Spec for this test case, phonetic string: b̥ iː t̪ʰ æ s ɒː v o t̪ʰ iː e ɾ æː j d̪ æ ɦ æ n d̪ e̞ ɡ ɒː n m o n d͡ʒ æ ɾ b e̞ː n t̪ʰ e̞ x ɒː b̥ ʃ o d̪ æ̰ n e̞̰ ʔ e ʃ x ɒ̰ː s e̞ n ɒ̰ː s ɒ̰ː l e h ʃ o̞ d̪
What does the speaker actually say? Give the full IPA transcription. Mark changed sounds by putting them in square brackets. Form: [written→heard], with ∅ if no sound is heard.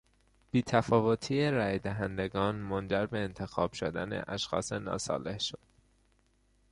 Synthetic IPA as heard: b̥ iː t̪ʰ æ [s→f] ɒː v o t̪ʰ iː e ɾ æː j d̪ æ ɦ æ n d̪ e̞ ɡ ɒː n m o n d͡ʒ æ ɾ b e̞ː n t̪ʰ e̞ x ɒː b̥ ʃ o d̪ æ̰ n e̞̰ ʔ [e→æ] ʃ x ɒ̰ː s e̞ n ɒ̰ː s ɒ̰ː l e h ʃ o̞ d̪